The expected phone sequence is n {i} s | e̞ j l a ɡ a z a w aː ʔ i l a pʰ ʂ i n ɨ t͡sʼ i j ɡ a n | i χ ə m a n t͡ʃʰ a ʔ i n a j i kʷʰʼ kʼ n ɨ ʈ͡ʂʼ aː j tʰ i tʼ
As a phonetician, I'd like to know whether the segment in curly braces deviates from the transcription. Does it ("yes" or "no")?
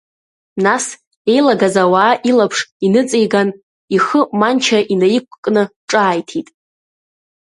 yes